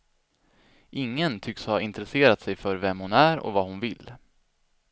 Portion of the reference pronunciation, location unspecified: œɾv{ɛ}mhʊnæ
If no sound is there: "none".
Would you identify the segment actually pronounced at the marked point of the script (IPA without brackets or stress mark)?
ɛ